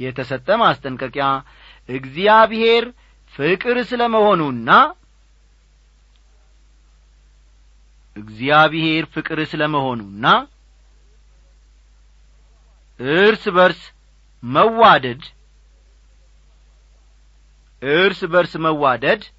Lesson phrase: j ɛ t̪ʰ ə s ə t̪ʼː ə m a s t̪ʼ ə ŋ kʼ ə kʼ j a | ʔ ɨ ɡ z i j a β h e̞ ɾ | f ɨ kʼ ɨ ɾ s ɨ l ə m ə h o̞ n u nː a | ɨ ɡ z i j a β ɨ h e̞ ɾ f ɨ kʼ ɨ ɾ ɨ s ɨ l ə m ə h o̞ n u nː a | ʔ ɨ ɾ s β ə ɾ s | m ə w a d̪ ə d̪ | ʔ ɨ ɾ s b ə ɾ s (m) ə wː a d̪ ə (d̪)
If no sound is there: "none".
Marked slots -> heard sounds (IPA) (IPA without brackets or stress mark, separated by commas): m, d̪